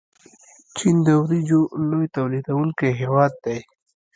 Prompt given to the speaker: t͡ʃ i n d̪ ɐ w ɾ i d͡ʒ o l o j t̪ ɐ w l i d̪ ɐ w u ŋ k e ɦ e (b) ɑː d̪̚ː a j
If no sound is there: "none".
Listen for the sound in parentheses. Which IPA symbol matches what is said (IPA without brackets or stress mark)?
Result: w